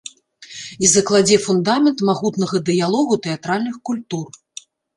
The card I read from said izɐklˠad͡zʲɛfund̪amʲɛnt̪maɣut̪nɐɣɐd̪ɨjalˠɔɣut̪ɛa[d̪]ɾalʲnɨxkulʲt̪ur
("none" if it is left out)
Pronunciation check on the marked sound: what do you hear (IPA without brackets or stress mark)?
t̪